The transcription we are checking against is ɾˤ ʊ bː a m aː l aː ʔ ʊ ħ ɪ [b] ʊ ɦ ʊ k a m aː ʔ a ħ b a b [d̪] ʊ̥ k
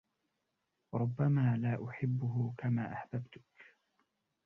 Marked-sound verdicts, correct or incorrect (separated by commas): incorrect, incorrect